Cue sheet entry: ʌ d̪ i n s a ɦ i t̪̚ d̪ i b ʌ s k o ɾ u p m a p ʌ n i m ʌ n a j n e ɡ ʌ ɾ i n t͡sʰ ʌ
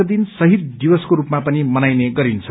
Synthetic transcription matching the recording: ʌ d̪ i n s ʌ ɦ i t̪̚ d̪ i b ʌ s k o ɾ u p m a p ʌ n i m ʌ n a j n e ɡ ʌ ɾ i n t͡sʰ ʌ